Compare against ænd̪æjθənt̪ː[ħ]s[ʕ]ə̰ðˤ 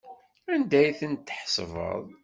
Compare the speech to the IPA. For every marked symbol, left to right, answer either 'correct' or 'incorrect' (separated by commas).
correct, incorrect